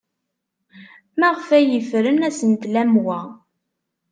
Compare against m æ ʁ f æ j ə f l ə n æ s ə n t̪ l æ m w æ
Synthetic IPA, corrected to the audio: m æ ʁ f æ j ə f ɾ ə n æ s ə n t̪ l æ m w æ